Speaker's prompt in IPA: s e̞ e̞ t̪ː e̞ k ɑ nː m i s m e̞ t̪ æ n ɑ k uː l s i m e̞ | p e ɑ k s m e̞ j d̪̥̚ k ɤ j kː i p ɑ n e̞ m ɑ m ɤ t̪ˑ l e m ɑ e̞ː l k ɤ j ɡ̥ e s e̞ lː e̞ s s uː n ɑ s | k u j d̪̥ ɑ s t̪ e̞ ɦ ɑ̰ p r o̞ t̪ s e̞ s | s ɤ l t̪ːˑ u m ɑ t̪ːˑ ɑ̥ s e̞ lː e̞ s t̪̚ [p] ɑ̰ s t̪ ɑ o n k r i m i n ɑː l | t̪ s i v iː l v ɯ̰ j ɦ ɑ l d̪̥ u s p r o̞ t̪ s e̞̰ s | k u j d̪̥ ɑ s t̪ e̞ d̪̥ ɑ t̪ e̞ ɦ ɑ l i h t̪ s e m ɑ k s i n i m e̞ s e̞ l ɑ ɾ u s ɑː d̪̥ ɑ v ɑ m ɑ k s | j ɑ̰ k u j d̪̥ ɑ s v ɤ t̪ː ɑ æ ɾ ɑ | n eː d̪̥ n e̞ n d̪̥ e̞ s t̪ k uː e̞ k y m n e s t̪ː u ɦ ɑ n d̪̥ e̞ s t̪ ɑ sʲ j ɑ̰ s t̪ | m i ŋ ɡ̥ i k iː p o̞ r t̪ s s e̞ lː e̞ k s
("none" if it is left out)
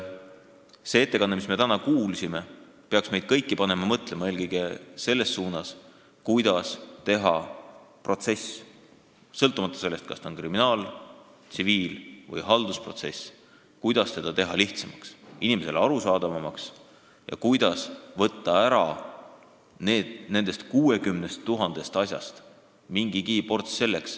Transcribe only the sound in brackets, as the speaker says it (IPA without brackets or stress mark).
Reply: k